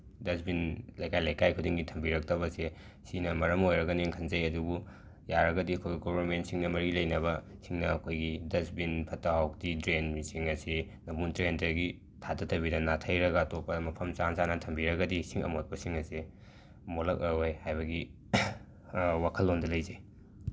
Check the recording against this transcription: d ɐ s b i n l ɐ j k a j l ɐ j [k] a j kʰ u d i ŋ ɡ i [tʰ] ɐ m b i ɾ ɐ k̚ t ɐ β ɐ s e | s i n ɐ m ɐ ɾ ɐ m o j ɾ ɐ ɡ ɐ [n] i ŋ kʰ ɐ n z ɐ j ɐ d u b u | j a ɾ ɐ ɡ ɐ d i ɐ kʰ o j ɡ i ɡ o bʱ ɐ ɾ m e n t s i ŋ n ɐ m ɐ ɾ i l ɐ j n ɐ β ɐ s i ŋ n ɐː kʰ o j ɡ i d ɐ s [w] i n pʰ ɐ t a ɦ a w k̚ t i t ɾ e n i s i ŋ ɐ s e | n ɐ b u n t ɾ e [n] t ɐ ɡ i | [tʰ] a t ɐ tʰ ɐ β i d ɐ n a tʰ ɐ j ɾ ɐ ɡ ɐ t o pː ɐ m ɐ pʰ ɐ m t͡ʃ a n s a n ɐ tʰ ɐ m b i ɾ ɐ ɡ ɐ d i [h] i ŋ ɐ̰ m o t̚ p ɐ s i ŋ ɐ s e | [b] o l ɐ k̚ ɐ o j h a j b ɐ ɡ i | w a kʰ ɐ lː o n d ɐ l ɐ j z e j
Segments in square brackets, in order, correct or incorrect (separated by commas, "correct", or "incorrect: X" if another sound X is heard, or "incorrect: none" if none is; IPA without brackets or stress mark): correct, correct, correct, incorrect: b, correct, correct, incorrect: s, incorrect: m